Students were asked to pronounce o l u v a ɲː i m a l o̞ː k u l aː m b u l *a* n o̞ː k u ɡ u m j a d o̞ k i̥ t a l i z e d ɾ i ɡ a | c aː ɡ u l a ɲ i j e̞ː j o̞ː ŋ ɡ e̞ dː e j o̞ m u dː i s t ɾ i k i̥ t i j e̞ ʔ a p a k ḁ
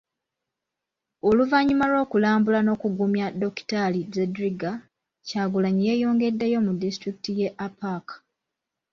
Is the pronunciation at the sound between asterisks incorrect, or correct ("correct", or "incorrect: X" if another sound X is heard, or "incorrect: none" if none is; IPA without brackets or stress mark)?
correct